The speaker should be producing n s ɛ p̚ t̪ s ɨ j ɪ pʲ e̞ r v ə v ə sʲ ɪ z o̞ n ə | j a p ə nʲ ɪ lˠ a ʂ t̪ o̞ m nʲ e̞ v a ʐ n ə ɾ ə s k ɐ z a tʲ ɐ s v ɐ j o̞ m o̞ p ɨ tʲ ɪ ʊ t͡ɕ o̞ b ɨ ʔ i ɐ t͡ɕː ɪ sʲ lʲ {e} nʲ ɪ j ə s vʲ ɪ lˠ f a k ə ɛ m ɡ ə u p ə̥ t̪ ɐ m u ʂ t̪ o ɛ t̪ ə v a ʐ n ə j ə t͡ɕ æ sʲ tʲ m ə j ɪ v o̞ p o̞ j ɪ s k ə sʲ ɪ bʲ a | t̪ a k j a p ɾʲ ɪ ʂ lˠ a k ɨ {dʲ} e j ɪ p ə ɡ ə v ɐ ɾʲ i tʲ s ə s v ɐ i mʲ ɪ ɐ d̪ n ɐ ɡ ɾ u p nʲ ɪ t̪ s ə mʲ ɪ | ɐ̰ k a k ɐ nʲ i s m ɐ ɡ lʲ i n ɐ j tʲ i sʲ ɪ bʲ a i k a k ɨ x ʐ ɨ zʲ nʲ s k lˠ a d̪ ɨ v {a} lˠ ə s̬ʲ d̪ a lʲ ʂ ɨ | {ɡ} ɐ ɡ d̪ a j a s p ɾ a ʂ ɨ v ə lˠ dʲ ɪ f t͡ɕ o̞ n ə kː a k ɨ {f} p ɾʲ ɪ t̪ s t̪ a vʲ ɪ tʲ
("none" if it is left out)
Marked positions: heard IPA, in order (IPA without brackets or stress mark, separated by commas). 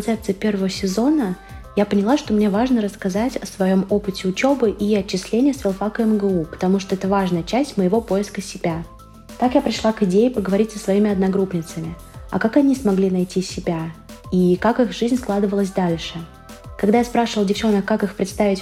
e, dʲ, ə, k, x